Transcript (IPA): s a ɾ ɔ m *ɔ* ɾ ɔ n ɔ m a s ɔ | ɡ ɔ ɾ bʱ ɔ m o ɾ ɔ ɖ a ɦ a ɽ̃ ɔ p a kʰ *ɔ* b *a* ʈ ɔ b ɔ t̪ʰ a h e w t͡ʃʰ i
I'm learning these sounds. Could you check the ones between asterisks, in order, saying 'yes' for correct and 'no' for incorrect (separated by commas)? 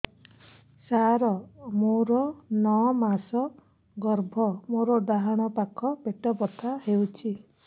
no, yes, no